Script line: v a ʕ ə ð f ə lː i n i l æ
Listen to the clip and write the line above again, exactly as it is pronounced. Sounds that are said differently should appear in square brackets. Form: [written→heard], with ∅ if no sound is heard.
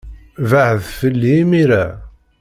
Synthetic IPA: v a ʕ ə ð f ə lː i [n→m] i [l→ɾ] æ